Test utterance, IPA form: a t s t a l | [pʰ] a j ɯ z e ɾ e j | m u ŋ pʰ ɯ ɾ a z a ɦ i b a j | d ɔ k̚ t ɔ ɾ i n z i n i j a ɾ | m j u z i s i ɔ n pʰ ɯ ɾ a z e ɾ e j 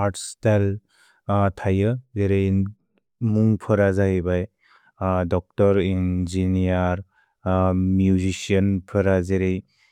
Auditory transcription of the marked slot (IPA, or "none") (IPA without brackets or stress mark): tʰ